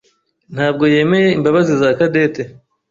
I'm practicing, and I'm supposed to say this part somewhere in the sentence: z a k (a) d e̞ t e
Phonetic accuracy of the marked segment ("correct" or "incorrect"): correct